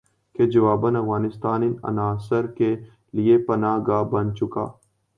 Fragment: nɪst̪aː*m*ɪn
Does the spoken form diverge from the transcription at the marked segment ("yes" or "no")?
yes